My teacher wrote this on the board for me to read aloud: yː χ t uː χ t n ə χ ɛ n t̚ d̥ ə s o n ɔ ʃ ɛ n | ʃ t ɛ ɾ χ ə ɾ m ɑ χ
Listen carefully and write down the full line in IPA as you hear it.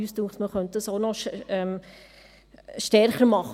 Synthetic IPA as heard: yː s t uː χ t m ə χ œ n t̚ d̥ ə s o n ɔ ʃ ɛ m | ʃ t ɛ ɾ χ ə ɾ m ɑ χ